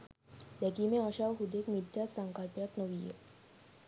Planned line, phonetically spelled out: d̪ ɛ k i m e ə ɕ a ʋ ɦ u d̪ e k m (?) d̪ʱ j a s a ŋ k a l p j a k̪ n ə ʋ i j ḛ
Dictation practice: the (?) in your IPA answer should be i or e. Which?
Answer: i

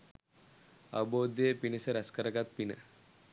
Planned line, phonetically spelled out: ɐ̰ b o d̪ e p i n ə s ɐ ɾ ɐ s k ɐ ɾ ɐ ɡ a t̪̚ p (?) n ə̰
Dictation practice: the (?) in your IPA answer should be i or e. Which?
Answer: i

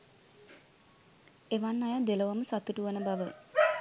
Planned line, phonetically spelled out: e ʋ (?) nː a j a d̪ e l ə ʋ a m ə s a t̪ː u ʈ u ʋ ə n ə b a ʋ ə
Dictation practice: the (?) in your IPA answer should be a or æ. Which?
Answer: a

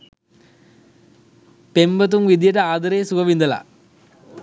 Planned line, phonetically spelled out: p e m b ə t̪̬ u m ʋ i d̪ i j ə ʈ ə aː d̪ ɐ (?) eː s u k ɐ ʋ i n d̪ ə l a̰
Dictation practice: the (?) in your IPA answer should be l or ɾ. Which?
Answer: ɾ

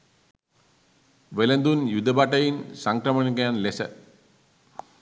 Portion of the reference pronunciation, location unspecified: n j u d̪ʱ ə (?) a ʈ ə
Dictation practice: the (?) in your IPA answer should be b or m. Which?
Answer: b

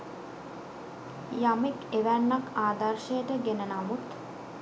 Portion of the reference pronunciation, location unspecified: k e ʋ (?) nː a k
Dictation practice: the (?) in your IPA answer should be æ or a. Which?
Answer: æ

